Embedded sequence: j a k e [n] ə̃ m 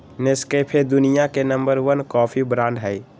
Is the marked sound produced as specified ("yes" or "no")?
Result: yes